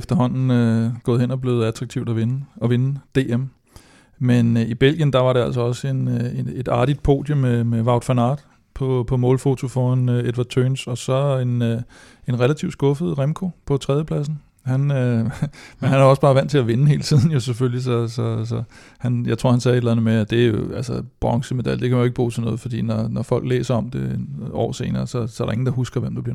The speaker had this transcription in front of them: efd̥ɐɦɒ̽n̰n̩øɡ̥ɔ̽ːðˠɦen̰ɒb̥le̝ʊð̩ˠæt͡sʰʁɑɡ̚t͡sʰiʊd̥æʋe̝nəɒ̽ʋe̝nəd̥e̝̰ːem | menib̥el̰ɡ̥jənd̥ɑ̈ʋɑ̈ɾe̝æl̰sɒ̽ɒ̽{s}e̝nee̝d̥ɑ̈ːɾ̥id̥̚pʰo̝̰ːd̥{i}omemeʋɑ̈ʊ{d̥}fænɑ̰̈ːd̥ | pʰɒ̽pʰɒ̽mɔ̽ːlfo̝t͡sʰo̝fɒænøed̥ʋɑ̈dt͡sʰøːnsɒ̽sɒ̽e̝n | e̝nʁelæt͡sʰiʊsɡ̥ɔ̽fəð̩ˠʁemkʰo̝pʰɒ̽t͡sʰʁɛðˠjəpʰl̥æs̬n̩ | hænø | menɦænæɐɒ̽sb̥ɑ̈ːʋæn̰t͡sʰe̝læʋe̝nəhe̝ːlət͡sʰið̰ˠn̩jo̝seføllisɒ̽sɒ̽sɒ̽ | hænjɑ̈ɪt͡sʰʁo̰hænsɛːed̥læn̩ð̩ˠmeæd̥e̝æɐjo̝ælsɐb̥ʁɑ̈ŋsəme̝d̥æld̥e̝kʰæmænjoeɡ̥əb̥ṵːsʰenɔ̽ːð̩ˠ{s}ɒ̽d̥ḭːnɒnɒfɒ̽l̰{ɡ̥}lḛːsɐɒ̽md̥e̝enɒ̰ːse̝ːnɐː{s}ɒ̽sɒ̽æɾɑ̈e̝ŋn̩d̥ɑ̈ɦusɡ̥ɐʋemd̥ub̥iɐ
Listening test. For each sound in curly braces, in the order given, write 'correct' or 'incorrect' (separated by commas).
correct, incorrect, correct, incorrect, correct, correct